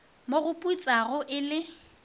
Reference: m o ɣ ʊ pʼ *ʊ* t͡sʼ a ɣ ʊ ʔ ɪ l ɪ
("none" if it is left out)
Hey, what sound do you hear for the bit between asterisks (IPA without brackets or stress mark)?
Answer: u